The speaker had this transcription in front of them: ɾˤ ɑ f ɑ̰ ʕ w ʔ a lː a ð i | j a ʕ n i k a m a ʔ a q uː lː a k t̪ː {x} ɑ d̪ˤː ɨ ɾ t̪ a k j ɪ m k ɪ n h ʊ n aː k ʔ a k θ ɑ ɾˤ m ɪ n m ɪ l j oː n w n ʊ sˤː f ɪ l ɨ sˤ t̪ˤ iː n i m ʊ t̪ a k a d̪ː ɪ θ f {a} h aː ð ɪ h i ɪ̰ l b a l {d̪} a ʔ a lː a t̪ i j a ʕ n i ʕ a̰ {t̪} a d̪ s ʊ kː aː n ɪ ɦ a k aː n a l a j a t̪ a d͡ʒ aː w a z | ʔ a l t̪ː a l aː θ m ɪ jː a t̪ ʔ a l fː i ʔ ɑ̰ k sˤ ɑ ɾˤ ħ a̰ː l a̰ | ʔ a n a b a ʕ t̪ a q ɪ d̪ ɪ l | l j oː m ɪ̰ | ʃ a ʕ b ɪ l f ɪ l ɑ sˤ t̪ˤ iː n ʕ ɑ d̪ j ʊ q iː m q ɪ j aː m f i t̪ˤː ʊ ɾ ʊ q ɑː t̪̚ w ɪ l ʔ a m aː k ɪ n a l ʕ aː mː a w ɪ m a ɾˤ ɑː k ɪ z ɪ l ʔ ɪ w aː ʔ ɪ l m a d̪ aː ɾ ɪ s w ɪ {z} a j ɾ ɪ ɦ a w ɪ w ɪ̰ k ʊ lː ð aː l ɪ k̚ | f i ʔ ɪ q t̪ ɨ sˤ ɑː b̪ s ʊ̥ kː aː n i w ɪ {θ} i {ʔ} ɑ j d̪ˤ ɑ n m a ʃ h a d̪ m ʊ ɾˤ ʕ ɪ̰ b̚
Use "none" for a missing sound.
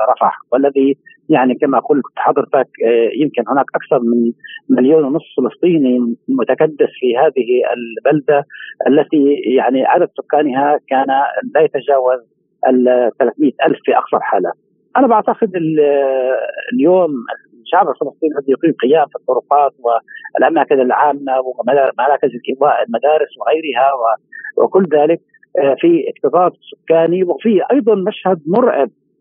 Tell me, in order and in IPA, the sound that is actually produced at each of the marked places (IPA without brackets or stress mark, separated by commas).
ħ, i, d̪, d̪, ɣ, f, ʔ